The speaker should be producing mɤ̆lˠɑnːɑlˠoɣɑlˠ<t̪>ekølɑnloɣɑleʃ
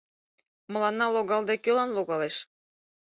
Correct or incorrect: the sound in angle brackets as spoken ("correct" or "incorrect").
incorrect